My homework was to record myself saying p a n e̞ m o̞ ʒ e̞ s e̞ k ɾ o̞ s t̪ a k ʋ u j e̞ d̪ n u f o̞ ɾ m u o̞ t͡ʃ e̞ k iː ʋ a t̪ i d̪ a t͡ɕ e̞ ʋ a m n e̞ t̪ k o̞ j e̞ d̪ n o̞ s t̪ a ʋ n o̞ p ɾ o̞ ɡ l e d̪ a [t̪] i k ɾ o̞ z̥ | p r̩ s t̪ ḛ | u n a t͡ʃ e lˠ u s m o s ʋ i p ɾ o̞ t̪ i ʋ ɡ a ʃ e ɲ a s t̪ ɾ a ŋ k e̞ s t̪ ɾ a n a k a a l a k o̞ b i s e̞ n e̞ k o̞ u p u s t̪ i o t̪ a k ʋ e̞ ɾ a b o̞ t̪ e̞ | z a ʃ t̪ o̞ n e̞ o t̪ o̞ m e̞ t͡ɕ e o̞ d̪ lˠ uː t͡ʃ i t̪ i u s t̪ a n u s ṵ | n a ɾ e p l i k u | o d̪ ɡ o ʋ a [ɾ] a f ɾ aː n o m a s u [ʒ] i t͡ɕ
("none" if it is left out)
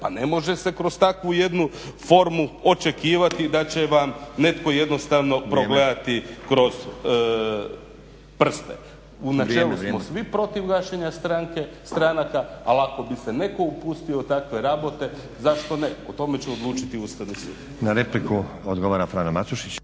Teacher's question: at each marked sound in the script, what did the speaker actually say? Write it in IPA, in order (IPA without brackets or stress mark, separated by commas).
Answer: t̪, ɾ, ʃ